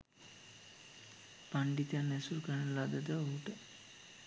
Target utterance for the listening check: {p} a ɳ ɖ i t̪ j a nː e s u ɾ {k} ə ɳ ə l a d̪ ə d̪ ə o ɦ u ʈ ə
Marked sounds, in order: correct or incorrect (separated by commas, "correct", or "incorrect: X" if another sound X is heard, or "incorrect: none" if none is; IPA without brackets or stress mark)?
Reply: correct, correct